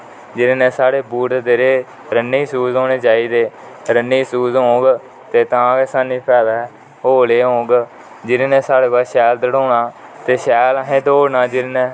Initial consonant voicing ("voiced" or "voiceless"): voiced